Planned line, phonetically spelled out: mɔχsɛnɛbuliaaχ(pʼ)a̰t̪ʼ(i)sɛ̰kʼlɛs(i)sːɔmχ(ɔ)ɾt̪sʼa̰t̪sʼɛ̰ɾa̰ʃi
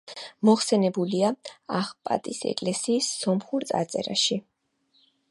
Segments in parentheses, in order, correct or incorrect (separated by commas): correct, correct, incorrect, incorrect